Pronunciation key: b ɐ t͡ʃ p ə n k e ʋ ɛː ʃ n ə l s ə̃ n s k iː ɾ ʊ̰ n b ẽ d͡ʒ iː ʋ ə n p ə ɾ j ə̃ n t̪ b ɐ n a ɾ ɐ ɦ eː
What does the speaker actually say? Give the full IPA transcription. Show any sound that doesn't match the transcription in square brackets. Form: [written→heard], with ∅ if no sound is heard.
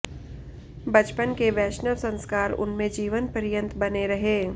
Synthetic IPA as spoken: b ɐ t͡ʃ p ə n k e ʋ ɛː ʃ n ə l s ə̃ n s k [iː→aː] ɾ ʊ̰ n [b→m] ẽ d͡ʒ iː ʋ ə n p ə ɾ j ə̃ n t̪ b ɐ n [a→e] ɾ ɐ ɦ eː